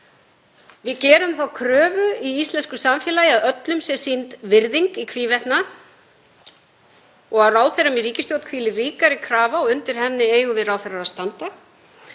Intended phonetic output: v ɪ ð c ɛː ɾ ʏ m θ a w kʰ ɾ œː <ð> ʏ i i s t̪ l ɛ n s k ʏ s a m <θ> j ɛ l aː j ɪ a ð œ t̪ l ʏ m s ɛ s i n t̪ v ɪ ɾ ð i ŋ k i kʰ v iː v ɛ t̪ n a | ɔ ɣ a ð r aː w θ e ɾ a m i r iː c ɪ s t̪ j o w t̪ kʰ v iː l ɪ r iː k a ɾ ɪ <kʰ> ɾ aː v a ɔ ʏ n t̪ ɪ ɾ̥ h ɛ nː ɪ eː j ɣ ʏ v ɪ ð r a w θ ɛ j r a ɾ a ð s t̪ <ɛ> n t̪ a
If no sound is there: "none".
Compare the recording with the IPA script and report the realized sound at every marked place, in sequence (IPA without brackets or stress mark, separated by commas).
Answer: v, f, kʰ, a